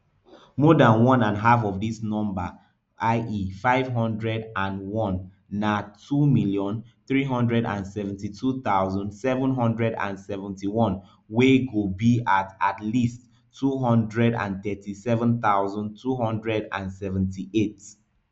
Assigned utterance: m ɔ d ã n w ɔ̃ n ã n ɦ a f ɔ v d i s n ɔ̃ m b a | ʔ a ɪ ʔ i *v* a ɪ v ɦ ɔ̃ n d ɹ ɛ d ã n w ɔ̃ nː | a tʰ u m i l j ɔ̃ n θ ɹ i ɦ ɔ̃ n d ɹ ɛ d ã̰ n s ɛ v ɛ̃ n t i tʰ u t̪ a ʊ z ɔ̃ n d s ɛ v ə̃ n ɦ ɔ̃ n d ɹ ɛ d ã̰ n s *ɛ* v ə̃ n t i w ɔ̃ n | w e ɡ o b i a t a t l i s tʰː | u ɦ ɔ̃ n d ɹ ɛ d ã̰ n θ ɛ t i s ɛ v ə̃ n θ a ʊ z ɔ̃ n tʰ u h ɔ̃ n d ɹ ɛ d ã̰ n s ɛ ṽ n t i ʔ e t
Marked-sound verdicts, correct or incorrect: incorrect, correct

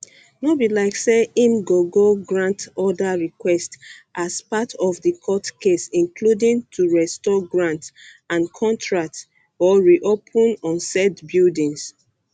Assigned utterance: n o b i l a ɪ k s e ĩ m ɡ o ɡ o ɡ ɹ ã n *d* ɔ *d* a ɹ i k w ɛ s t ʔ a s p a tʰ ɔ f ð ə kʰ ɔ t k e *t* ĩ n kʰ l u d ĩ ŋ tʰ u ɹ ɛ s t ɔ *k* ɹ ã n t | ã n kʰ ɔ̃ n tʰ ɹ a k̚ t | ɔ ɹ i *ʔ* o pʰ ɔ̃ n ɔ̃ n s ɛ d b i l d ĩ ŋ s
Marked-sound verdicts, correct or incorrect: incorrect, correct, incorrect, incorrect, correct

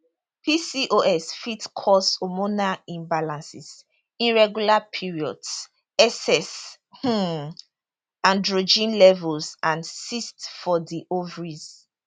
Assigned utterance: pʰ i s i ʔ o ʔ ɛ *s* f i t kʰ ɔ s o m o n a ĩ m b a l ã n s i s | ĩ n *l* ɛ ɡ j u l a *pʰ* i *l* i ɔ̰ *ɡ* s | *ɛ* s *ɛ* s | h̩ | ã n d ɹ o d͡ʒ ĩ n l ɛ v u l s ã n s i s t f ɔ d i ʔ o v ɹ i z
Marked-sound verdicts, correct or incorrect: correct, incorrect, correct, incorrect, incorrect, correct, correct

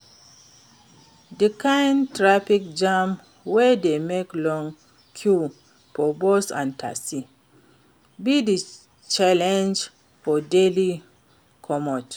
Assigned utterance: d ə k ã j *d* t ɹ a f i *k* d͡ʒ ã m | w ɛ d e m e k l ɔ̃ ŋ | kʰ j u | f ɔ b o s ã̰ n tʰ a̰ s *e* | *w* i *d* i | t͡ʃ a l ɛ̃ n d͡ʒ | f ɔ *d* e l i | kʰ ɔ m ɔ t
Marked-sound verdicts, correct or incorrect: incorrect, correct, incorrect, incorrect, correct, correct

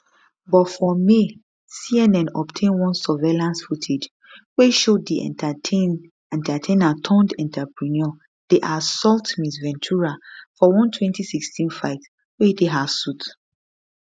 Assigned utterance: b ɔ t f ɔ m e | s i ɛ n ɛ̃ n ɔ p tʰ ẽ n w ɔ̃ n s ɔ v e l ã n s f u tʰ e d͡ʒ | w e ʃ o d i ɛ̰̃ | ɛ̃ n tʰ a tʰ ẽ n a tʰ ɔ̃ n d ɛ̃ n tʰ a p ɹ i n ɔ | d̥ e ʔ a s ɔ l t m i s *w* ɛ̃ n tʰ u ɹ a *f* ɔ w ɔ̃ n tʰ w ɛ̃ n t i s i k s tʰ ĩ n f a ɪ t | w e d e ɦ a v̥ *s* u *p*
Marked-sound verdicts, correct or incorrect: incorrect, correct, correct, incorrect

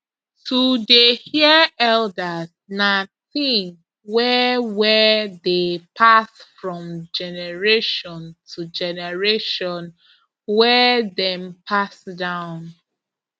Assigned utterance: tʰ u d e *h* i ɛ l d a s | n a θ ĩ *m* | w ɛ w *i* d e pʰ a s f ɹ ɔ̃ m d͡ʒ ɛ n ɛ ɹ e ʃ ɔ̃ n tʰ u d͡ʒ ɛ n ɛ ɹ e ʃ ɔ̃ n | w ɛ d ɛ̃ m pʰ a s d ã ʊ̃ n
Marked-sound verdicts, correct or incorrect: correct, incorrect, incorrect

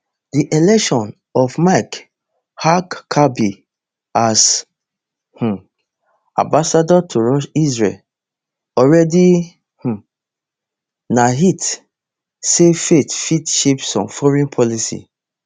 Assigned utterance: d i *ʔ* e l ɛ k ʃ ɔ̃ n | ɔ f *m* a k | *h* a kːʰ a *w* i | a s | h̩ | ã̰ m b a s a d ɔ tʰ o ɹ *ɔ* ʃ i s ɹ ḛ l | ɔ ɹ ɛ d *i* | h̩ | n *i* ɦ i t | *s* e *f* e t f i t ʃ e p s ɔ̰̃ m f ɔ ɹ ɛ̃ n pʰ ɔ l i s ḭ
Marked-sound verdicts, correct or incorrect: correct, correct, correct, incorrect, correct, correct, incorrect, correct, correct

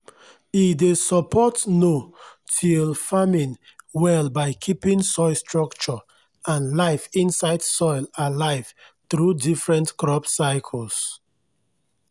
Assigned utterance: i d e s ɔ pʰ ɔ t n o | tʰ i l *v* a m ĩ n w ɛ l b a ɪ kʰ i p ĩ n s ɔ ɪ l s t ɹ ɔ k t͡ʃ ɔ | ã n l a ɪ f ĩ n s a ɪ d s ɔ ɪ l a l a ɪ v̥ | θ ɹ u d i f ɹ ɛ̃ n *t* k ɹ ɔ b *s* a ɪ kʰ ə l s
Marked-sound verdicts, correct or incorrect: incorrect, correct, correct

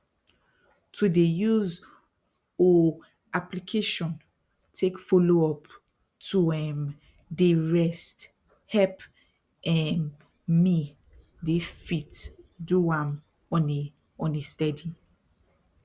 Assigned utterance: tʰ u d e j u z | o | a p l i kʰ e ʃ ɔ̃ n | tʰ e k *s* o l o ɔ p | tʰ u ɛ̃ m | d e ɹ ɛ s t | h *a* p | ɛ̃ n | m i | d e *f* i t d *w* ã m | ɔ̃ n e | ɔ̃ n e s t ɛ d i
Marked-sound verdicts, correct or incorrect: incorrect, incorrect, correct, incorrect

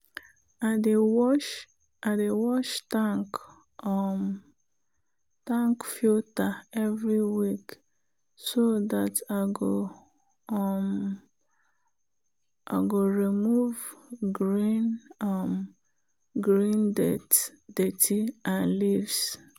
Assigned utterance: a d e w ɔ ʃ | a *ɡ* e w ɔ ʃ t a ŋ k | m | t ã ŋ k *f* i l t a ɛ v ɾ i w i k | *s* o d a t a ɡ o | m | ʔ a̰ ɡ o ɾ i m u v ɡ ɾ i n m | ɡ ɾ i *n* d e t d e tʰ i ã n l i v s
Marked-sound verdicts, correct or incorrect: incorrect, correct, correct, correct

